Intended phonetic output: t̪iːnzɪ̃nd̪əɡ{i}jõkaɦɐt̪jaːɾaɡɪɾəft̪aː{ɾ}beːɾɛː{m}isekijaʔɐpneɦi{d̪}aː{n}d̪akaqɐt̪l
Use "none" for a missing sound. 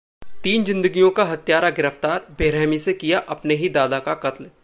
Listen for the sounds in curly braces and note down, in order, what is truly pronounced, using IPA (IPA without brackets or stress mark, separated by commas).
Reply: i, ɾ, m, d̪, none